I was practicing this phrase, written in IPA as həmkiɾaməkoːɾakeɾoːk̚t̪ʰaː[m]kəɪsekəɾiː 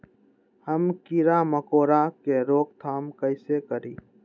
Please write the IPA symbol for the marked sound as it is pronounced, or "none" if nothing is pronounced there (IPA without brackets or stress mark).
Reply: m